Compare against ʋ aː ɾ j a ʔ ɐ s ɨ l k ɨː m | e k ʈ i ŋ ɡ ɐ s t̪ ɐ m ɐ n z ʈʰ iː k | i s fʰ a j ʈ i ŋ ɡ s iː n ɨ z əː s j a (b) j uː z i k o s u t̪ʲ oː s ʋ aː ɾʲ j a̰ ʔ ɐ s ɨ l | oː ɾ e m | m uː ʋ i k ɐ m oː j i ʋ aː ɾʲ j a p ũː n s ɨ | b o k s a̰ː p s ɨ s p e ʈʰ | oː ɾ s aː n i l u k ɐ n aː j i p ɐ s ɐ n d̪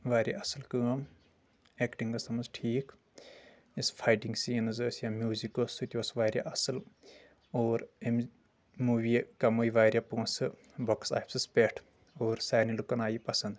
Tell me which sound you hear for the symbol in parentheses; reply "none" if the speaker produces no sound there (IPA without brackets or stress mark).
m